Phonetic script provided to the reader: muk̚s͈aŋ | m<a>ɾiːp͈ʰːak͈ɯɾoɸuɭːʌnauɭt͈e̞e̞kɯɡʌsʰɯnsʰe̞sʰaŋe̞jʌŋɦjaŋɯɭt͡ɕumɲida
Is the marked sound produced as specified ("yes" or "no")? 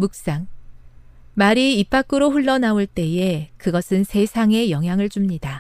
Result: yes